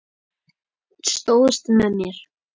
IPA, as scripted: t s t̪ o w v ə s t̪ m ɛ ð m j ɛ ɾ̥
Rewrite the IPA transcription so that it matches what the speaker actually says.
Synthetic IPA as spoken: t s t̪ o w ð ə s t̪ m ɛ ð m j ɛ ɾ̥